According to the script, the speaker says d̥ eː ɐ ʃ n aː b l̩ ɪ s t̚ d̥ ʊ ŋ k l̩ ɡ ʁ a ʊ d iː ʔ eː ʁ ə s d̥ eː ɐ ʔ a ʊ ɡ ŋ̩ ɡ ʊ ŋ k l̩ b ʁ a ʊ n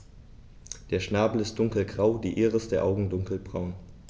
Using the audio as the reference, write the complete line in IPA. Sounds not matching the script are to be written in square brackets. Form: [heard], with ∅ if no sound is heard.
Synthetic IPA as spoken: d̥ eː ɐ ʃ n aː b l̩ ɪ s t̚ d̥ ʊ ŋ k l̩ ɡ ʁ a ʊ d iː ʔ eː ʁ ə s d̥ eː ɐ ʔ a ʊ ɡ ŋ̩ [d] ʊ ŋ k l̩ b ʁ a ʊ n